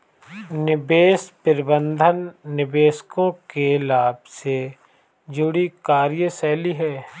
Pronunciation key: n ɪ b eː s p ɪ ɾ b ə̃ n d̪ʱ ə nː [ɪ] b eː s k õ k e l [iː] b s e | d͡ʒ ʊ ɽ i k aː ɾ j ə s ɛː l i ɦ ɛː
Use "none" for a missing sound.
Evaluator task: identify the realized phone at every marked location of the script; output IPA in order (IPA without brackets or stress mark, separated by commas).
ɪ, aː